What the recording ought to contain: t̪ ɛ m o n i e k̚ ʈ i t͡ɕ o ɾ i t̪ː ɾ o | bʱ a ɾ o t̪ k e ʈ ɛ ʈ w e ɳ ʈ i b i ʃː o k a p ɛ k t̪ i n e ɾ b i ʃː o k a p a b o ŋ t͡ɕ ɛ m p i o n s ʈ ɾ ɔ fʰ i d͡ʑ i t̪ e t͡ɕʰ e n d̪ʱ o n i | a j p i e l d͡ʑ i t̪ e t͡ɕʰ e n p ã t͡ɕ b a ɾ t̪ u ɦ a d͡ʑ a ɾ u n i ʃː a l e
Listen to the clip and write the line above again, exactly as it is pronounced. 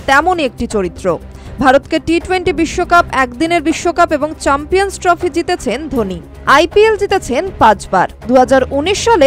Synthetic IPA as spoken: t̪ ɛ m o n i e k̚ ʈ i t͡ɕ o ɾ i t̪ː ɾ o | bʱ a ɾ o t̪ k e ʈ i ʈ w e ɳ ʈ i b i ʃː o k a p ɛ k d̪ i n e ɾ b i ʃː o k a p e b o ŋ t͡ɕ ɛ m p i o n s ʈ ɾ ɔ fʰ i d͡ʑ i t̪ e t͡ɕʰ e n d̪ʱ o n i | a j p i e l d͡ʑ i t̪ e t͡ɕʰ e n p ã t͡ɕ b a ɾ d̪ u ɦ a d͡ʑ a ɾ u n i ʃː a l e